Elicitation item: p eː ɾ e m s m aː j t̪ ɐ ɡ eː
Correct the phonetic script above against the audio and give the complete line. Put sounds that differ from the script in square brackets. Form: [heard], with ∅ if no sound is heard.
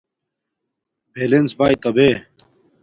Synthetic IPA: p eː [l] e [n] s [b] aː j t̪ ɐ [b] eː